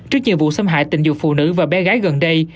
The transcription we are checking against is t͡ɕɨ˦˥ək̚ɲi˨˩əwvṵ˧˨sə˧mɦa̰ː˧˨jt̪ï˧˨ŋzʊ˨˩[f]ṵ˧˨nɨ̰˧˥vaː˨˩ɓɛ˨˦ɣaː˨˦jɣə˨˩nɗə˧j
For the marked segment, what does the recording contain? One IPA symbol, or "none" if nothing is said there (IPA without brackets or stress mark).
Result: f